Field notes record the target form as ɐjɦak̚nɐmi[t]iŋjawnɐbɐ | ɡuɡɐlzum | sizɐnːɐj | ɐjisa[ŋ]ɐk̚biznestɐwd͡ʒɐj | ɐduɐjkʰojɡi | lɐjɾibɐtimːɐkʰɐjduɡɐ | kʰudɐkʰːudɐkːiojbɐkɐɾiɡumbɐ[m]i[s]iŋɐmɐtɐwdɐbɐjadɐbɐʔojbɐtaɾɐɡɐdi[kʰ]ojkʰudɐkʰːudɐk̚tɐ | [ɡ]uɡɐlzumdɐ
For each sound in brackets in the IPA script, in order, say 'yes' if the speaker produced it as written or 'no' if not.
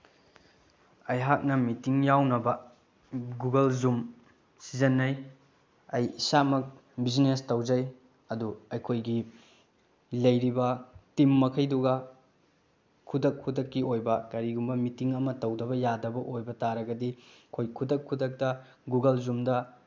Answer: yes, no, yes, no, yes, yes

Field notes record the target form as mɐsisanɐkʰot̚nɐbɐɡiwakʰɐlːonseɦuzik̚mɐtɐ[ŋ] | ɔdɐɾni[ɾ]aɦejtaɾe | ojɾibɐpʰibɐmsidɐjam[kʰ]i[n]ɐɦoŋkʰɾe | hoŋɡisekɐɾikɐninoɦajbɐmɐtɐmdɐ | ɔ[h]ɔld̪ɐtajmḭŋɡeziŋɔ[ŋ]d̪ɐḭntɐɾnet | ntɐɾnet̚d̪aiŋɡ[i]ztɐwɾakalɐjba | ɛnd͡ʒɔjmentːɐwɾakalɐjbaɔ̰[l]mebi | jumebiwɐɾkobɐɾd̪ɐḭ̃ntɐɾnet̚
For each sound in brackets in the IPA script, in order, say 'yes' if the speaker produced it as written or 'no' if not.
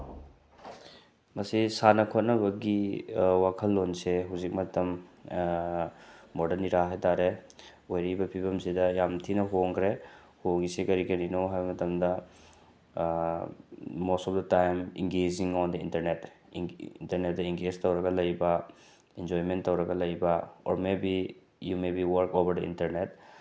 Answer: no, yes, no, yes, no, no, no, no

